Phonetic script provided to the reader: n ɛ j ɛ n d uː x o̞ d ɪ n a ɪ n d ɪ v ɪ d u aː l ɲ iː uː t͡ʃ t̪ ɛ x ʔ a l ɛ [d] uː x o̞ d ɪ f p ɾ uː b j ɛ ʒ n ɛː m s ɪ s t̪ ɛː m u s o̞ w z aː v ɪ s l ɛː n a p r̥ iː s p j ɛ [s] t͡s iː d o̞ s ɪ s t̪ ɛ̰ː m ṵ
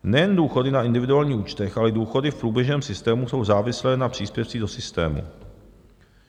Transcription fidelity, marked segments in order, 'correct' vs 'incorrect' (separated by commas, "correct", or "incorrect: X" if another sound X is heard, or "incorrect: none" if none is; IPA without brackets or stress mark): correct, incorrect: f